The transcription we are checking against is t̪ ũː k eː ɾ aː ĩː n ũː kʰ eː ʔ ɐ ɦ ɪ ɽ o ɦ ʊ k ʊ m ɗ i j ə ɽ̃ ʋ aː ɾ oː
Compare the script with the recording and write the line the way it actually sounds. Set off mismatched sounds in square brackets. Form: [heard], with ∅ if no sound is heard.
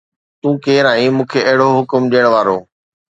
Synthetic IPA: t̪ ũː k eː ɾ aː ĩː [m] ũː kʰ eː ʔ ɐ ɦ ɪ ɽ o ɦ ʊ k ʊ m ɗ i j ə ɽ̃ ʋ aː ɾ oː